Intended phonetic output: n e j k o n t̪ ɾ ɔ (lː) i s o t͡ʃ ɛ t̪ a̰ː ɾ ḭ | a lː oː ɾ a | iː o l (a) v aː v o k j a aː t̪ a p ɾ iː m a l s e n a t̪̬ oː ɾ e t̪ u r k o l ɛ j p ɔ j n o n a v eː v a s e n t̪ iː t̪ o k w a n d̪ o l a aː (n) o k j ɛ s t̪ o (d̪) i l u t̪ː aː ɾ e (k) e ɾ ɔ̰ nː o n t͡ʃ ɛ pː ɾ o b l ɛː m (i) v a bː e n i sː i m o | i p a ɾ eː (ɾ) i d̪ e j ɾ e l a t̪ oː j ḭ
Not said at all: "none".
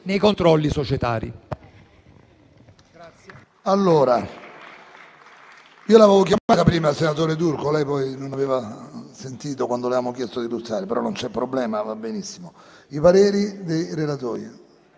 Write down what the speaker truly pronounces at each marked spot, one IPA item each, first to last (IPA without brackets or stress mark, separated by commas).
lː, a, m, d̪, p, a, ɾ